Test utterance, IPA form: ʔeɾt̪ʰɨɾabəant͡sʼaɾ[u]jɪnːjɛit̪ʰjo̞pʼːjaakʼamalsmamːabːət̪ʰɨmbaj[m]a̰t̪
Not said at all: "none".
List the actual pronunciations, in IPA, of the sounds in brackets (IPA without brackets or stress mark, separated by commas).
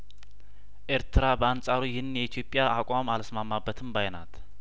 u, n